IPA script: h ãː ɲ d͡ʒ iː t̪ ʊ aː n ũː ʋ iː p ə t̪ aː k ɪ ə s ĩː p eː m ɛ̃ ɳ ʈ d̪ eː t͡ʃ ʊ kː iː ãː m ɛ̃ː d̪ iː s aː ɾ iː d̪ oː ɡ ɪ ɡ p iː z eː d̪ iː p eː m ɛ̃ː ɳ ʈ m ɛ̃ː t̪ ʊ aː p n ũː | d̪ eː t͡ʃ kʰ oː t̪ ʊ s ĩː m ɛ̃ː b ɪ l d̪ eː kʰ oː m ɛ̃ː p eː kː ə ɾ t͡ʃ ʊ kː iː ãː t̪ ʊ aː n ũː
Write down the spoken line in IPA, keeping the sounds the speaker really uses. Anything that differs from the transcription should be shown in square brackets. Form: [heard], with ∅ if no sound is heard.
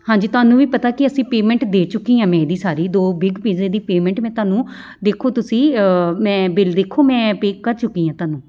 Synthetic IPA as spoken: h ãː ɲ d͡ʒ iː t̪ ʊ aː n ũː ʋ iː p ə t̪ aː k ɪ ə s ĩː p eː m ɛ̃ ɳ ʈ d̪ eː t͡ʃ ʊ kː iː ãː m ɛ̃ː d̪ iː s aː ɾ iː d̪ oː [b] ɪ ɡ p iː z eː d̪ iː p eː m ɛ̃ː ɳ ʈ m ɛ̃ː t̪ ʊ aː [∅] n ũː | d̪ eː [∅] kʰ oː t̪ ʊ s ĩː m ɛ̃ː b ɪ l d̪ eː kʰ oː m ɛ̃ː p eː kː ə ɾ t͡ʃ ʊ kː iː ãː t̪ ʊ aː n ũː